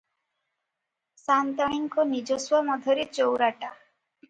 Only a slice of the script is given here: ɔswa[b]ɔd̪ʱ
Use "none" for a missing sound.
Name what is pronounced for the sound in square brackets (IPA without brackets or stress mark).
m